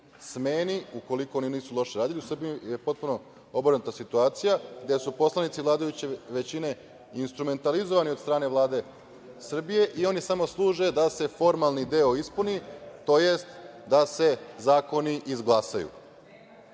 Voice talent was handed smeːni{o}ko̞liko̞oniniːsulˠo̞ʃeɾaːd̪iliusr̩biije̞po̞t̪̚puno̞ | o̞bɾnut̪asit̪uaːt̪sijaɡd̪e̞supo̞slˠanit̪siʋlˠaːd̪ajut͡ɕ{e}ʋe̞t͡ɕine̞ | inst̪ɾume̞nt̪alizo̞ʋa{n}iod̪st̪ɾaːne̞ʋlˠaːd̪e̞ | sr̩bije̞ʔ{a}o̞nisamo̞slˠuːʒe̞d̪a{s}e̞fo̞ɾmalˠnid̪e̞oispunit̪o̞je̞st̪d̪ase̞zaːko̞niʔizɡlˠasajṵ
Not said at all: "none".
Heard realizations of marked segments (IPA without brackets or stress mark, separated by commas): u, e, n, i, s